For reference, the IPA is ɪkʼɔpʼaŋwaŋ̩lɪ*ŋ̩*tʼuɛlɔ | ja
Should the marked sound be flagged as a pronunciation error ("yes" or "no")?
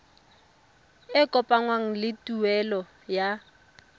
yes